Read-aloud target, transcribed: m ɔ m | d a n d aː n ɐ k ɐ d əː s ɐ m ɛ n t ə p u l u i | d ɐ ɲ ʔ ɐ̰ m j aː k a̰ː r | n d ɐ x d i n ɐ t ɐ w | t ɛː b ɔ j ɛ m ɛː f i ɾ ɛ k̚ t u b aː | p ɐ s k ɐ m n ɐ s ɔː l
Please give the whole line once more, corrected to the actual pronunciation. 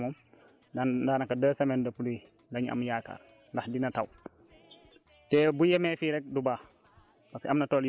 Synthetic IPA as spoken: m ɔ m | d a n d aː n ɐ k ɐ d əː s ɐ m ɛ n d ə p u l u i | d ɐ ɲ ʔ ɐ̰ m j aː k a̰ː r | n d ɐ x d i n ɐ t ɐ w | t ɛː b u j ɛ m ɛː f i ɾ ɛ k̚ d u b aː | p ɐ s k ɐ m n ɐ t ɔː l

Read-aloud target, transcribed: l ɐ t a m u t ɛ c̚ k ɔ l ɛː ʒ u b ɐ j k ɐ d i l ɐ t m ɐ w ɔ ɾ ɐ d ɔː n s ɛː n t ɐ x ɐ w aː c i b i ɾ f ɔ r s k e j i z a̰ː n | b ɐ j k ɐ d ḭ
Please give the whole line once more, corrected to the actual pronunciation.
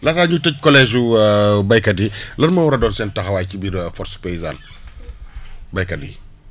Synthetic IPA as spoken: l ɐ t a ɲ u t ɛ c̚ k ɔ l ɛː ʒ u b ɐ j k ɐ d i l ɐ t m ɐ w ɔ ɾ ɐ d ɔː n s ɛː n t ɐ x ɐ w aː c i b i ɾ f ɔ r s p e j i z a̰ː n | b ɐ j k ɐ d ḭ

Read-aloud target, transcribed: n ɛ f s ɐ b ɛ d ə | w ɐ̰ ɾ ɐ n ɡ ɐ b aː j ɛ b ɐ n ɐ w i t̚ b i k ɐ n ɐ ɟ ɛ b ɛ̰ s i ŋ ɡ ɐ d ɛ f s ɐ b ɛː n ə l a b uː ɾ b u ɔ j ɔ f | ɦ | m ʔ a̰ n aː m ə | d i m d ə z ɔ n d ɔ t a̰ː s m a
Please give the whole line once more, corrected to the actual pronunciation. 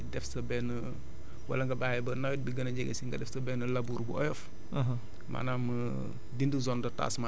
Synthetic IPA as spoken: d ɛ f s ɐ b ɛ n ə | w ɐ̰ l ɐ ŋ ɡ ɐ b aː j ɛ b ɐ n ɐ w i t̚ b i ɡ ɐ n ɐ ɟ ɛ ɡ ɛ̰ s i ŋ ɡ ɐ d ɛ f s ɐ b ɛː n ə l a b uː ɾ b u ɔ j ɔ f | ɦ | m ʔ a̰ n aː m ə | d i n d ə z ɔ n d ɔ t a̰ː s m a

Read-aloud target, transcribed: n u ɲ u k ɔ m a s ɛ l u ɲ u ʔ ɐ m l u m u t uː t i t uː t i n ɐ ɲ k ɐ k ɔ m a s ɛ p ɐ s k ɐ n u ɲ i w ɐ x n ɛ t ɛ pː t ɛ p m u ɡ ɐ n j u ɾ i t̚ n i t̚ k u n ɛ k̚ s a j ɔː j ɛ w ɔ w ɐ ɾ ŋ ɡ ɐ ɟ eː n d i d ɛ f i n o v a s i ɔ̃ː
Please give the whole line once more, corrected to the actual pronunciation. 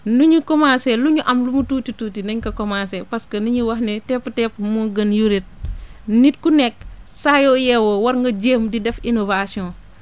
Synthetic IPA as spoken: n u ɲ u k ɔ m a s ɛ l u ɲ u ʔ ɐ m l u m u t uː t i t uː t i n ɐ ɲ k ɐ k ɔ m a s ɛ p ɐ s k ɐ n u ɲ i w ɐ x n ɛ t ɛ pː t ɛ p m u ɡ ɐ n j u ɾ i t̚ n i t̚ k u n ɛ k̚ s a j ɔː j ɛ w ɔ w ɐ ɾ ŋ ɡ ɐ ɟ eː m d i d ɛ f i n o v a s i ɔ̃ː

